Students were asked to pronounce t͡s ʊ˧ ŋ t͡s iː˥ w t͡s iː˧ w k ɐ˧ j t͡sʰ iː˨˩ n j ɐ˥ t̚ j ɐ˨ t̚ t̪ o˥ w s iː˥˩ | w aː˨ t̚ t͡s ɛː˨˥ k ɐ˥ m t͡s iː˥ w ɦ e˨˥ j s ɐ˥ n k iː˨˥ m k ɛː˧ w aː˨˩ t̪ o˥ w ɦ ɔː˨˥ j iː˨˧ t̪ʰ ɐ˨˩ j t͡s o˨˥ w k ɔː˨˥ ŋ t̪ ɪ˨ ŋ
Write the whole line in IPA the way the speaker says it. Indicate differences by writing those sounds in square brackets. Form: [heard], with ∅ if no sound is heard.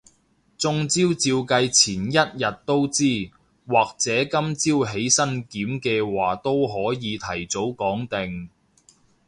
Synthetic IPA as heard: t͡s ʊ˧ ŋ t͡s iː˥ w t͡s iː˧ w k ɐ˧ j t͡sʰ iː˨˩ n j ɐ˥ t̚ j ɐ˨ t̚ t̪ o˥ w [t͡s] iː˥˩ | w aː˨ [k̚] t͡s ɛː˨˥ k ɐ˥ m t͡s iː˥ w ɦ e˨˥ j s ɐ˥ n k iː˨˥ m k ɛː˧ w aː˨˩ t̪ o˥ w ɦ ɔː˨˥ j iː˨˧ t̪ʰ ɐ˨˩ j t͡s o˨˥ w k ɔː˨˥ ŋ t̪ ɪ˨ ŋ